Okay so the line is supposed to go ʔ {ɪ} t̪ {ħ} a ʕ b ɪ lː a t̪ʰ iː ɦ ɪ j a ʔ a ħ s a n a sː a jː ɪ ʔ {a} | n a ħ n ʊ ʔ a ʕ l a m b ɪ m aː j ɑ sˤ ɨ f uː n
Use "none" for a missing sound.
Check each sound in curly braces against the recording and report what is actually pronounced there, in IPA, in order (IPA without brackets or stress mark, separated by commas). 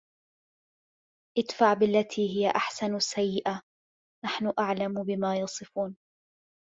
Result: ɪ, f, a